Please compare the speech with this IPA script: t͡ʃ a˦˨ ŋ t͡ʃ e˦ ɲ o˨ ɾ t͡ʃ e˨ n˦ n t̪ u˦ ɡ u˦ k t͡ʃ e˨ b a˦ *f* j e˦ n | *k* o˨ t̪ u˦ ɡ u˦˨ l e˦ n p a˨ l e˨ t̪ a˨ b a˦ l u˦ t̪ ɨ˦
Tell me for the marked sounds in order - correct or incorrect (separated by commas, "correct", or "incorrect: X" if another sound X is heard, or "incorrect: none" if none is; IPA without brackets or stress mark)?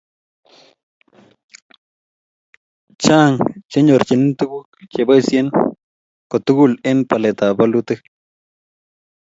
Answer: incorrect: s, correct